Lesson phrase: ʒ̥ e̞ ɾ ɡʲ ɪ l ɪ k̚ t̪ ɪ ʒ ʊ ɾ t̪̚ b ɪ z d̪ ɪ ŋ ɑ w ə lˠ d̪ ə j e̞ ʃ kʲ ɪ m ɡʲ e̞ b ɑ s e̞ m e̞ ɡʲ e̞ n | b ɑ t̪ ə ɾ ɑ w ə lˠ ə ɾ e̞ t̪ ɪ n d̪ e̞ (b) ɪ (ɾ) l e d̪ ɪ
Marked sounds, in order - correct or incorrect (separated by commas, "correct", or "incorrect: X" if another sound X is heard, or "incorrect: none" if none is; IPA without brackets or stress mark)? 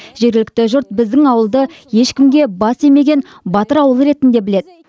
correct, incorrect: none